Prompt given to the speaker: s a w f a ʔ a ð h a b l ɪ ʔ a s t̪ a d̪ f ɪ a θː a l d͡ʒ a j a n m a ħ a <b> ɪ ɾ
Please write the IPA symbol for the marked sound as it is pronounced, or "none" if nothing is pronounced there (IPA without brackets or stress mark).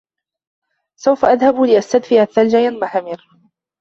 m